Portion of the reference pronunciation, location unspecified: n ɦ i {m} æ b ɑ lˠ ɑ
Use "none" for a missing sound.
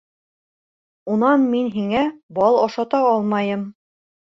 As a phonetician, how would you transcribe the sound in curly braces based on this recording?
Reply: ŋ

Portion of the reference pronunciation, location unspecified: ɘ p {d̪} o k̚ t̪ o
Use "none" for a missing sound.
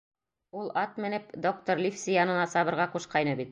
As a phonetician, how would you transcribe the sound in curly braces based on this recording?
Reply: d̪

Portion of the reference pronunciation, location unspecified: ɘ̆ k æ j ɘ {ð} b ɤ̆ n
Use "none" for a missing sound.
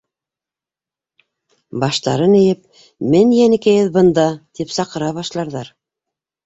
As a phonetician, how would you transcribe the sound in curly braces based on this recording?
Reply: ð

